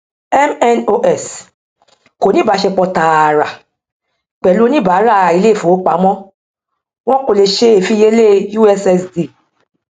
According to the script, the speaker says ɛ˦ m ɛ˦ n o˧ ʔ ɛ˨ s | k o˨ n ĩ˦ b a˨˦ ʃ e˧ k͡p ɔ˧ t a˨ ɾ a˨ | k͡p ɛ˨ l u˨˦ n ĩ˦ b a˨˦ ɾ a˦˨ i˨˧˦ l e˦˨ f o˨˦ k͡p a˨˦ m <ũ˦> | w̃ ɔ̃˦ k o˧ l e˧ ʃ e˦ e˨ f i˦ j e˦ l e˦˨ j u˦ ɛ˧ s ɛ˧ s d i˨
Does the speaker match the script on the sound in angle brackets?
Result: no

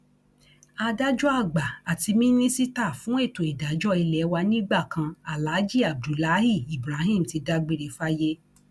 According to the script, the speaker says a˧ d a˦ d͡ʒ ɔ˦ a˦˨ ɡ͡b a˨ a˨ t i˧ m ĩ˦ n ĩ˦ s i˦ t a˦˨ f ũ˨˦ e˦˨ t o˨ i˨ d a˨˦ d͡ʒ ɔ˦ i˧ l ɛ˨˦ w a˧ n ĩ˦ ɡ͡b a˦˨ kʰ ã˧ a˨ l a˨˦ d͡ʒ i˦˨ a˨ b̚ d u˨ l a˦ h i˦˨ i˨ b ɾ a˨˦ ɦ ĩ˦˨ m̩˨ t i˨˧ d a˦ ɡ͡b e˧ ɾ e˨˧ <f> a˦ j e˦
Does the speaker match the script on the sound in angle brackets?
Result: yes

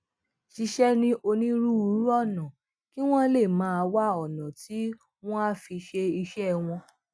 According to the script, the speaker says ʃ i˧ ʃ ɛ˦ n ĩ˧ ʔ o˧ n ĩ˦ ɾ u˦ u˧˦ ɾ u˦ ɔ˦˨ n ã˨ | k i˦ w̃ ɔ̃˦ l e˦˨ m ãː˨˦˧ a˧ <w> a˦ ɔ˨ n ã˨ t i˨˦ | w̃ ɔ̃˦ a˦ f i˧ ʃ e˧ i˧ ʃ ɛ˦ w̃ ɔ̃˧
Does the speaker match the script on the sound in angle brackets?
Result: yes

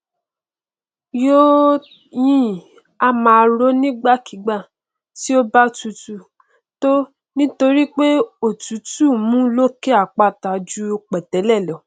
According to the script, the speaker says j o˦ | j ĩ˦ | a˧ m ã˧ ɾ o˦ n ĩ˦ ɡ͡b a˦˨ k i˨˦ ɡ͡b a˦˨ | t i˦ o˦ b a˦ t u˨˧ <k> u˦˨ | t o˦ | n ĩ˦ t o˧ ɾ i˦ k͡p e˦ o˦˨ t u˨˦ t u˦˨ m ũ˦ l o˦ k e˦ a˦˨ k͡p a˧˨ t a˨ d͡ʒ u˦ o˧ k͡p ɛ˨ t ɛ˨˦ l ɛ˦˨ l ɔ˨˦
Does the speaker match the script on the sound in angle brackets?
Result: no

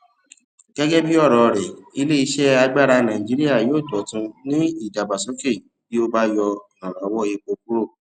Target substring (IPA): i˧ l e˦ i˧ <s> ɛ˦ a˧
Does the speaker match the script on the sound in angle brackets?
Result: no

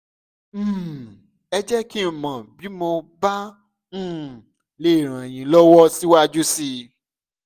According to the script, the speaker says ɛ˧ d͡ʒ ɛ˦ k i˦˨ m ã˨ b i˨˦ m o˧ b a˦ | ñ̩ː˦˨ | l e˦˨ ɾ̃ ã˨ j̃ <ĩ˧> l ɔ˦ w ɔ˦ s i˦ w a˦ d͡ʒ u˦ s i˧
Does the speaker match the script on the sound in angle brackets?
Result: yes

